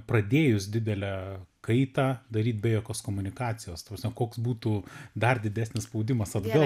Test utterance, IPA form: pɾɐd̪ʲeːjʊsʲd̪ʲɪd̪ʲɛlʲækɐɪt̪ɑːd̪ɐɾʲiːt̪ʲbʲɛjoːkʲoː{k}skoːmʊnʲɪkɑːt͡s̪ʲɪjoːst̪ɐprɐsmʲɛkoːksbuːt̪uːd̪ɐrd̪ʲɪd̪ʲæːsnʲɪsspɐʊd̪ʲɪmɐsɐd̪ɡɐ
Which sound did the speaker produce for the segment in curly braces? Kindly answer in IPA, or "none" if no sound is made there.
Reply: none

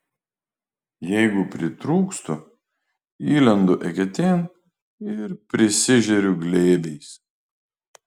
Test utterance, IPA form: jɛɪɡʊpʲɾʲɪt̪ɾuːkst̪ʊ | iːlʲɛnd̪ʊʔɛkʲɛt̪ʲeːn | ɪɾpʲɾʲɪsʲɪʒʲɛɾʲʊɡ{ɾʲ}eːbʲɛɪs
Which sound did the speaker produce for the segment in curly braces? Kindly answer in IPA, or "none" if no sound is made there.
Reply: lʲ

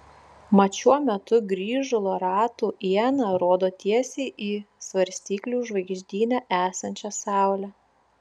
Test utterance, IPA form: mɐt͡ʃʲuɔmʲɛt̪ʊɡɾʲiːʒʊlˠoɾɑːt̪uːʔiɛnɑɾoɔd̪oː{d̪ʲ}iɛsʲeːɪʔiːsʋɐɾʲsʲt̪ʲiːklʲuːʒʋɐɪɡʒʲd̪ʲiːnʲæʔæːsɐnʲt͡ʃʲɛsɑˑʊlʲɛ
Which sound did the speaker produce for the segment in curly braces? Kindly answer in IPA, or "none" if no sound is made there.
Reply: t̪ʲ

